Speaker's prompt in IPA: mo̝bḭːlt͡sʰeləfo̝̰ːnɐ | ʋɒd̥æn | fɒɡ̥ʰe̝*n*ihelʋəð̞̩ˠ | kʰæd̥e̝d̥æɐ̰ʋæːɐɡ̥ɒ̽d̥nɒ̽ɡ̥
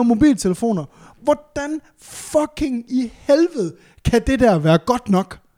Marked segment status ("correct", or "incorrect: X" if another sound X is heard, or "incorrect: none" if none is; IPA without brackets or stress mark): incorrect: ŋ